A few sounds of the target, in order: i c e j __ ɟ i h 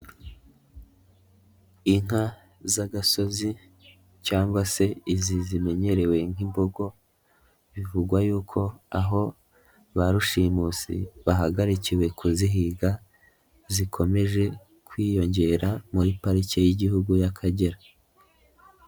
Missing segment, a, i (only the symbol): i